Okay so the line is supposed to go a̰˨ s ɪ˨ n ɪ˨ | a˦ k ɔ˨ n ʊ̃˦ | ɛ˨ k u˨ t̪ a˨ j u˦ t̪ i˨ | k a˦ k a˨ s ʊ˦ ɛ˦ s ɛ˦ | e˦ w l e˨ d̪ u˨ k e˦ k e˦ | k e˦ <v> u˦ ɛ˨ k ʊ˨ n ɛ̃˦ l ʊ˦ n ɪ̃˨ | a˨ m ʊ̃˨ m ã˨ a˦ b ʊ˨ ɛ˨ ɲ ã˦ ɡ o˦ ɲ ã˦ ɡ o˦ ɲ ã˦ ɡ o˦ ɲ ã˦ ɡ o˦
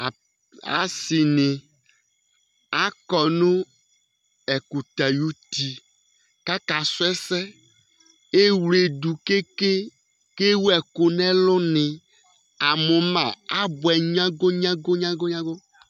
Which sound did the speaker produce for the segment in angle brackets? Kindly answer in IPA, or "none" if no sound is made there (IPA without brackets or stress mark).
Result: w